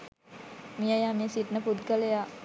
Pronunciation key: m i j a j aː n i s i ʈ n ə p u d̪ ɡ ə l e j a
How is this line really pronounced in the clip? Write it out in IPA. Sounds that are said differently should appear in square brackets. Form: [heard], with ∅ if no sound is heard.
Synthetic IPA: m i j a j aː [m] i s i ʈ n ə p u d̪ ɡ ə l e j a